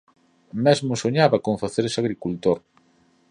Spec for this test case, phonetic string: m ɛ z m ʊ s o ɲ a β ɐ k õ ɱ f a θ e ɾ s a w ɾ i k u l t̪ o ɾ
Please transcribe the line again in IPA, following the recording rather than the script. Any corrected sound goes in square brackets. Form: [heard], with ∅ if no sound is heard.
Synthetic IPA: m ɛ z m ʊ s o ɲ a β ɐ k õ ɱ f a θ e ɾ s a [ɣ] ɾ i k u l t̪ o ɾ